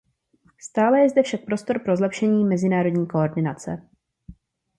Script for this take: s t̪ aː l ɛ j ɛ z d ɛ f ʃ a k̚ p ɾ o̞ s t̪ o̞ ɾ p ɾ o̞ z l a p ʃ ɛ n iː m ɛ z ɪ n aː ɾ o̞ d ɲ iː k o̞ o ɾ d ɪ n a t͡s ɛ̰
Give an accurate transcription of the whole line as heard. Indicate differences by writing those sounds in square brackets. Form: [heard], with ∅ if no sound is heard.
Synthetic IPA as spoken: s t̪ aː l ɛ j ɛ z d ɛ f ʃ a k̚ p ɾ o̞ s t̪ o̞ ɾ p ɾ o̞ z l [ɛ] p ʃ ɛ [ɲ] iː m ɛ z ɪ n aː ɾ o̞ d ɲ iː k o̞ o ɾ d ɪ n a t͡s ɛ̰